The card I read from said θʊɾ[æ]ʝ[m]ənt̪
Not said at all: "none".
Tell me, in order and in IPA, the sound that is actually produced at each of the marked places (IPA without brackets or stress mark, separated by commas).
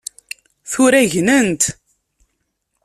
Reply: æ, n